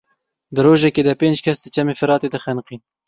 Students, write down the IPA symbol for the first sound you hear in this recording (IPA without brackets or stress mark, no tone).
d̪